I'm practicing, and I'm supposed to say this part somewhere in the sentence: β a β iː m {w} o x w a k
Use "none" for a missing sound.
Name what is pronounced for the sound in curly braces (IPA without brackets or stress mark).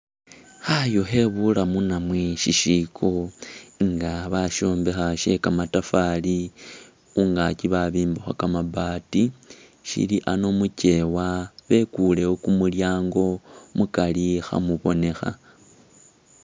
b